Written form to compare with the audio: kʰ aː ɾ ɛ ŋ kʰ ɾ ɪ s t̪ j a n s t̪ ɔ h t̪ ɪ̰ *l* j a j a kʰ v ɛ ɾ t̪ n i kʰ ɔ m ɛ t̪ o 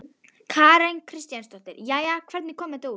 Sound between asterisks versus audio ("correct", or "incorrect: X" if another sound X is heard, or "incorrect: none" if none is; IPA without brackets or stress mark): incorrect: ɾ